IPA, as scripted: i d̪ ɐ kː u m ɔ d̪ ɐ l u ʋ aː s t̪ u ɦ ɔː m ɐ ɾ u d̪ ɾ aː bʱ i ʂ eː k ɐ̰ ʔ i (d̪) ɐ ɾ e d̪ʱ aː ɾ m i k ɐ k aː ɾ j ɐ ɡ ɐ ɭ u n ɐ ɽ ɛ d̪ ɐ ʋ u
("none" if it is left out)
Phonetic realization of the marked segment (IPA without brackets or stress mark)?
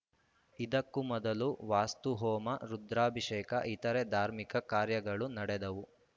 t̪